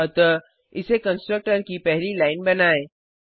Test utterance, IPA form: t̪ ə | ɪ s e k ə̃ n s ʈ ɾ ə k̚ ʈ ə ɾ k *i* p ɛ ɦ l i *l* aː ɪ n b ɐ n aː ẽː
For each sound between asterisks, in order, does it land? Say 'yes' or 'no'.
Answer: yes, yes

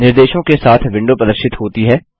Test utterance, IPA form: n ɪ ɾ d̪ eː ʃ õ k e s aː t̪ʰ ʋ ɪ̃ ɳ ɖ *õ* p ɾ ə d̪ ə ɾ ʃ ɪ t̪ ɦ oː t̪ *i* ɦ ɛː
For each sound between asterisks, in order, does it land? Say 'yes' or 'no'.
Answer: no, yes

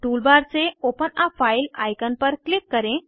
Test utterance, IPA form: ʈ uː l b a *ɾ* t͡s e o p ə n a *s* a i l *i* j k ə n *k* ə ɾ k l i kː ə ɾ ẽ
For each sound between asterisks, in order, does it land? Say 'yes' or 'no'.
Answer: yes, no, no, no

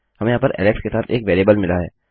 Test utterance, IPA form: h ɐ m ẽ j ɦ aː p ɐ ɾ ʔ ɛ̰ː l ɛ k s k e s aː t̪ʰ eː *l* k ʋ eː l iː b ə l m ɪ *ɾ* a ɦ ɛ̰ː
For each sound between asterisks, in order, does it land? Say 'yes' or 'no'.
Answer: no, no

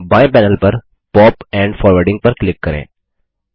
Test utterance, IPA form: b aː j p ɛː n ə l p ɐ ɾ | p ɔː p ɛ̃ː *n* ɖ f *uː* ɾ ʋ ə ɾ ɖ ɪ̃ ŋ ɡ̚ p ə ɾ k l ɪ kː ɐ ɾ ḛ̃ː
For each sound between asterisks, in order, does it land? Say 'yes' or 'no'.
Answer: no, no

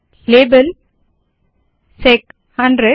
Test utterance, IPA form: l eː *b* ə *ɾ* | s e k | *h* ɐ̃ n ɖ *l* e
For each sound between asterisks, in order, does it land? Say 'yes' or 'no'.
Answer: yes, no, yes, no

